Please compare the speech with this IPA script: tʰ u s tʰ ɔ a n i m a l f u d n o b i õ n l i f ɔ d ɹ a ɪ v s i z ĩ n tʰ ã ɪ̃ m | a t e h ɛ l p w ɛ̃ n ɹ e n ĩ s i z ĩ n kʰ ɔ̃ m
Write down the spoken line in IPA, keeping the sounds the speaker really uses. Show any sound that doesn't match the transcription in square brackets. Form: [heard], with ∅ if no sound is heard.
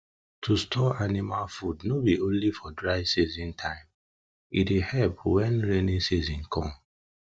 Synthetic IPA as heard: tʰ u s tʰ ɔ a n i m a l f u d n o b i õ n l i f ɔ d ɹ a ɪ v s i z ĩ n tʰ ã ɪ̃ m | [i] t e h ɛ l p w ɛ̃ n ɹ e n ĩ s i z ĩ n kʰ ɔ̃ m